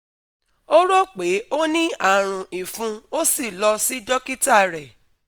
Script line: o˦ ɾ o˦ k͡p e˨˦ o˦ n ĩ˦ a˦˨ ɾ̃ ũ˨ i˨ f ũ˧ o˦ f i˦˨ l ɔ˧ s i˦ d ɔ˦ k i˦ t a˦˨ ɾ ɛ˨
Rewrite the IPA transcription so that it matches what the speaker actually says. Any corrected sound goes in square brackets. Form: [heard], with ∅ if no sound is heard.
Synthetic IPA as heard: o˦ ɾ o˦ k͡p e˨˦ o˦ n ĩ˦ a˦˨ ɾ̃ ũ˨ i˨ f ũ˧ o˦ [s] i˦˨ l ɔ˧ s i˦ d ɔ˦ k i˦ t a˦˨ ɾ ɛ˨